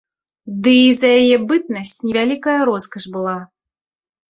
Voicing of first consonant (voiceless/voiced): voiced